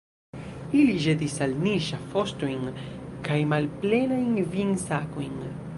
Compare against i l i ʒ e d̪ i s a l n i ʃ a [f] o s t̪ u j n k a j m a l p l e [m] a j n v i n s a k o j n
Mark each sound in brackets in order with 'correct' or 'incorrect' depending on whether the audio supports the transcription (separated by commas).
correct, incorrect